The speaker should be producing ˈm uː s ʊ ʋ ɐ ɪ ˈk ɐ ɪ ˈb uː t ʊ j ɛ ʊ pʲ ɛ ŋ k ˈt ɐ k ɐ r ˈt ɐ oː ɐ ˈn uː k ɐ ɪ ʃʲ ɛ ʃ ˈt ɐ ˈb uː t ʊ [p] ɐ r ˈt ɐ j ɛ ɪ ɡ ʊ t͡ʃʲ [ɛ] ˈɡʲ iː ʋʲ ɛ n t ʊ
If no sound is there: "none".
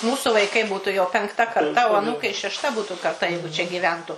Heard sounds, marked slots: k, ɛ

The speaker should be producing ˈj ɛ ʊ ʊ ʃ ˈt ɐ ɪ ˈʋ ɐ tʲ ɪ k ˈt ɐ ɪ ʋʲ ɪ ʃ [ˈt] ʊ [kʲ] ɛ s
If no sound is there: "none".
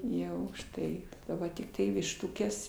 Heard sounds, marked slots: t, kʲ

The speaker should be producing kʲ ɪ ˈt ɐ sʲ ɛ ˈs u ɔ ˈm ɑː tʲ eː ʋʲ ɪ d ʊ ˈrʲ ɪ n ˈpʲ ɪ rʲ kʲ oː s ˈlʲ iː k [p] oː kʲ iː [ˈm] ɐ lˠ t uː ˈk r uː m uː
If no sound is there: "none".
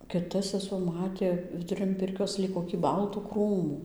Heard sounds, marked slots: k, b

